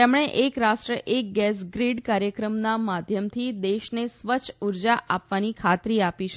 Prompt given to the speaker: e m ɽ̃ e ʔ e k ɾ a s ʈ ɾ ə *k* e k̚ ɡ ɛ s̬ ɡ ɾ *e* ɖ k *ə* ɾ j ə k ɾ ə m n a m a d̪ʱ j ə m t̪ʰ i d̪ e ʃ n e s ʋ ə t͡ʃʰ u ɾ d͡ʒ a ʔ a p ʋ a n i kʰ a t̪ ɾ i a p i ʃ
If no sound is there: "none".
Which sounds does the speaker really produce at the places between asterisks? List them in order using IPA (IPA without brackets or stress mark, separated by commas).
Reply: ʔ, i, a